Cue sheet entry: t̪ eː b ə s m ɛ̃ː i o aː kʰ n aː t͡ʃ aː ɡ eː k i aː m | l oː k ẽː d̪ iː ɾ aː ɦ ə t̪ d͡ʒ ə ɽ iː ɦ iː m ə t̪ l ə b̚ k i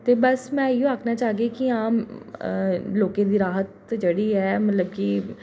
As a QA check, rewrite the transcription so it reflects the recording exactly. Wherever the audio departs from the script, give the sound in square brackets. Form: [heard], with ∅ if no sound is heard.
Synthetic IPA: t̪ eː b ə s m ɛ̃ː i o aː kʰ n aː t͡ʃ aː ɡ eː k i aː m | l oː k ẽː d̪ iː ɾ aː ɦ ə t̪ d͡ʒ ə ɽ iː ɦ [ɛː] m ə t̪ l ə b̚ k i